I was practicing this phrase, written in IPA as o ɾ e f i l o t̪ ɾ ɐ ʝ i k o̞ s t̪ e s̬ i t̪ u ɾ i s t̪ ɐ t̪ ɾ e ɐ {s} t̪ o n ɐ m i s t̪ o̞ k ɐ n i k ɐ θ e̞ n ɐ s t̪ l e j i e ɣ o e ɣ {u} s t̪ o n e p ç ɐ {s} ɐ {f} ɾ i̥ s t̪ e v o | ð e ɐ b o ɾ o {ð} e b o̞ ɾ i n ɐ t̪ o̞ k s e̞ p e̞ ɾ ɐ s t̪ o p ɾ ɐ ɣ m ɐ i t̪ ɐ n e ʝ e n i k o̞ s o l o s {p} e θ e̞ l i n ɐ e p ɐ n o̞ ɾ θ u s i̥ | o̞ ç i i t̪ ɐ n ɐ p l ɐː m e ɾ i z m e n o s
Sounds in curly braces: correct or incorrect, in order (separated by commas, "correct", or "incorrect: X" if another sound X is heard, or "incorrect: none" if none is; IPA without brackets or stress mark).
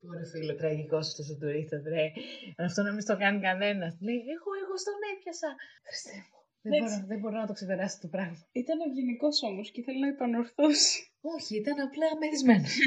incorrect: f, incorrect: o, correct, incorrect: x, correct, incorrect: c